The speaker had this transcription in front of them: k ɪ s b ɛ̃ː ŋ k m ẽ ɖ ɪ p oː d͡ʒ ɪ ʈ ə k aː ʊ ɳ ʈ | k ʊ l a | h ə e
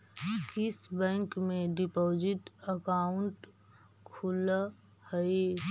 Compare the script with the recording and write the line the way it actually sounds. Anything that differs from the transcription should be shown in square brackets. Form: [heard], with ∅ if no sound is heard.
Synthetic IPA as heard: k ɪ s b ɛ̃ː ŋ k m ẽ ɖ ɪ p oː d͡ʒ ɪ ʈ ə k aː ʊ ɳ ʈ | [kʰ] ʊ l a | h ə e